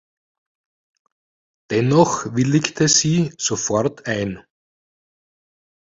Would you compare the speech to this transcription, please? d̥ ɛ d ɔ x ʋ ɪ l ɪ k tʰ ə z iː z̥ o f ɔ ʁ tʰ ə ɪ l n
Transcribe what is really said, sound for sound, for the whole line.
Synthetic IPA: d̥ ɛ n ɔ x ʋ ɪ l ɪ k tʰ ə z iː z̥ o f ɔ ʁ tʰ a ɪ n